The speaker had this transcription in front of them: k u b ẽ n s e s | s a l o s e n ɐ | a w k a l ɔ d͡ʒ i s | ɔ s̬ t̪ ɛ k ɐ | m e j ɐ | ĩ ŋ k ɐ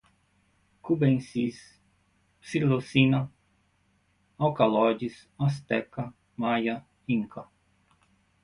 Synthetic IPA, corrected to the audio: k u b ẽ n s i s | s i l o s i n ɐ | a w k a l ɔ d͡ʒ i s | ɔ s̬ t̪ ɛ k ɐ | m a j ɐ | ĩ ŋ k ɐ